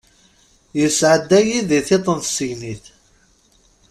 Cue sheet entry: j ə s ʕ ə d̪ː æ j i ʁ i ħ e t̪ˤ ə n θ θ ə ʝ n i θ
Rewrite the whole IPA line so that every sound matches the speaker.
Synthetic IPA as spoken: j ə s ʕ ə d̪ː æ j i ð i θ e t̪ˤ ə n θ s ə ʝ n i θ